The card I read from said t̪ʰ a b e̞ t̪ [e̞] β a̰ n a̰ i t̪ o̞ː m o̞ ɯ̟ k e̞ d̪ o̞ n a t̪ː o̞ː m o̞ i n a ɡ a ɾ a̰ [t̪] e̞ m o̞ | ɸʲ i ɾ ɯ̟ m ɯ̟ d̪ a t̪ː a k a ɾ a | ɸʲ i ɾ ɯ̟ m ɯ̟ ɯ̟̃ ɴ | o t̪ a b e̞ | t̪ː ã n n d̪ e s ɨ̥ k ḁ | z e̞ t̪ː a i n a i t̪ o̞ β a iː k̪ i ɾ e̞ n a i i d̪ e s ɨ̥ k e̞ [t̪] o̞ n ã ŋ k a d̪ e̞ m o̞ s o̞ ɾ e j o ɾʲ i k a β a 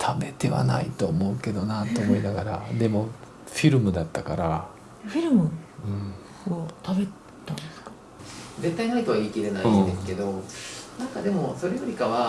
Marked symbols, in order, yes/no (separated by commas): yes, no, no